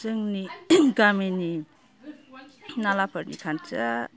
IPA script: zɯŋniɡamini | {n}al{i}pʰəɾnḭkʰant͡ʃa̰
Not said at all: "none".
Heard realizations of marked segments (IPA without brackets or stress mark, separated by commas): n, a